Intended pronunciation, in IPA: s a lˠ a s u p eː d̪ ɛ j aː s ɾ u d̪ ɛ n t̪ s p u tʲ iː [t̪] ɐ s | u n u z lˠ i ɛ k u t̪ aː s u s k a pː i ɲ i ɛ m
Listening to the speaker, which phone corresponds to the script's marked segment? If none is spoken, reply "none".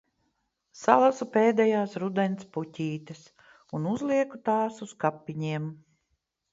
t̪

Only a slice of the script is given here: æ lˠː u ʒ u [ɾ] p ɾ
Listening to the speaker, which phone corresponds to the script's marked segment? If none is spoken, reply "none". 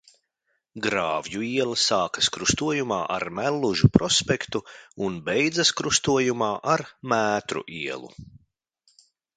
none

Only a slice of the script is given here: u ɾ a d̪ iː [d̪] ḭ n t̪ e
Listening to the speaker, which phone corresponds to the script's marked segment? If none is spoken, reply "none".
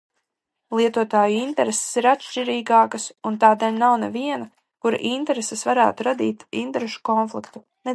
t̪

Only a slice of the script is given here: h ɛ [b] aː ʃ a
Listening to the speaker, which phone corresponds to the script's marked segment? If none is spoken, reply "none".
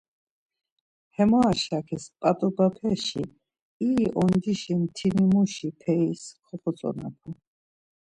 m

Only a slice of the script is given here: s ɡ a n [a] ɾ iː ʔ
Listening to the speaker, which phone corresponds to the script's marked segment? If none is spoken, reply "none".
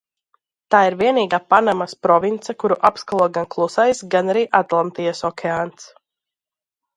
a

